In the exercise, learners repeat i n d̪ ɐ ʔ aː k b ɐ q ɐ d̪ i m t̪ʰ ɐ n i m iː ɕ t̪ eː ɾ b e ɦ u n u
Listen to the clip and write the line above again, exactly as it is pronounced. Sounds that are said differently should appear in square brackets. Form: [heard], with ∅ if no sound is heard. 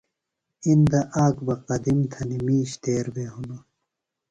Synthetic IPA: i n d̪ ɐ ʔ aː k b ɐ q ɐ d̪ i m t̪ʰ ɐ n i m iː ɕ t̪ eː ɾ b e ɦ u n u

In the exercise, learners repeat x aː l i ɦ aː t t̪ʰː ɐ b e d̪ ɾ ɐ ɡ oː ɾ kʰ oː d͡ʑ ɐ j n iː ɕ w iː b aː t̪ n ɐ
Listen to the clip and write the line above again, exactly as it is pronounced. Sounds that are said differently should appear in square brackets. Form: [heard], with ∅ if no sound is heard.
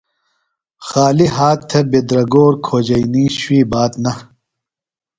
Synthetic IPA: x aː l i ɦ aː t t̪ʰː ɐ b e d̪ ɾ ɐ ɡ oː ɾ kʰ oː d͡ʑ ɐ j n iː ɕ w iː b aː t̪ n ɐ

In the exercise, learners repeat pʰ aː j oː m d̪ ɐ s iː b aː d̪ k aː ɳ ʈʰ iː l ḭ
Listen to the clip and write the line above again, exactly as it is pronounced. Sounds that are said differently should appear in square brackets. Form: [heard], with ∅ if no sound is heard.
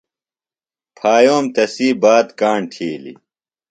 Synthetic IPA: pʰ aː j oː m [t̪] ɐ s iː b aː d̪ k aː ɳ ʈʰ iː l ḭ

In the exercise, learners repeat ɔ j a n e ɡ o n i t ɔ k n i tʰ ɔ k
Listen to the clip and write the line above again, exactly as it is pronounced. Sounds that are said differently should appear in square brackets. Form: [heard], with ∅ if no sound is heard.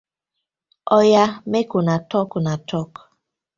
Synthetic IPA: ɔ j a [m] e [k] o n [a] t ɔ k n [a] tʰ ɔ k

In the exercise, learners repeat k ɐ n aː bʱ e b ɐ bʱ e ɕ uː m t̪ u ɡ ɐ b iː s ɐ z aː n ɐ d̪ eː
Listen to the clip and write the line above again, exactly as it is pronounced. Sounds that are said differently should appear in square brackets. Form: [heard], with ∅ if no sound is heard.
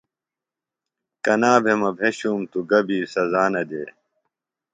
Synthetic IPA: k ɐ n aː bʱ e [m] ɐ bʱ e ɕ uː m t̪ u ɡ ɐ b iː s ɐ z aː n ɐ d̪ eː

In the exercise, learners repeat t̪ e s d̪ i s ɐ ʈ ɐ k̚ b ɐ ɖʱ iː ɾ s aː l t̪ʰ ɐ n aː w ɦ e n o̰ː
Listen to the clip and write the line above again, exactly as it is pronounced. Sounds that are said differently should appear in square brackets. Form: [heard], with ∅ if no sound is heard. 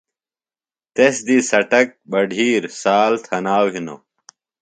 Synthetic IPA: t̪ e s d̪ i s ɐ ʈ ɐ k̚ b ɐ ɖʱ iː ɾ s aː l t̪ʰ ɐ n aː w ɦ [i] n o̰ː

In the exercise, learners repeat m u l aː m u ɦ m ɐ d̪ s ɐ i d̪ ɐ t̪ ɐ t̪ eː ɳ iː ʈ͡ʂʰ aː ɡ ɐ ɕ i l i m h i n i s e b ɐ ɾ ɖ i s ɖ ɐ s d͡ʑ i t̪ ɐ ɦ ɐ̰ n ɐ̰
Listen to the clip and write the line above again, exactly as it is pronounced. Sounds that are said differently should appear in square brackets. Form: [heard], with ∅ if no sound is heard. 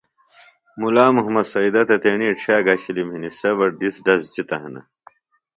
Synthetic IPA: m u l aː m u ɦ m ɐ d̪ s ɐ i d̪ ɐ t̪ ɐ t̪ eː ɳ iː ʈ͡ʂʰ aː ɡ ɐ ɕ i l i m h i n i s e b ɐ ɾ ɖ i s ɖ ɐ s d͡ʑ i t̪ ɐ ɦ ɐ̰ n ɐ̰

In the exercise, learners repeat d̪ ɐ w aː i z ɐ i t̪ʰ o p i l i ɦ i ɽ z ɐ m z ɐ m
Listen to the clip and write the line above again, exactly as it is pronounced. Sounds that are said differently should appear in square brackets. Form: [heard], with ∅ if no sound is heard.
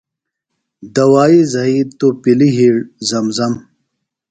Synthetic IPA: d̪ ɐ w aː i z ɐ i [t̪] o p i l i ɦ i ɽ z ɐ m z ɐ m

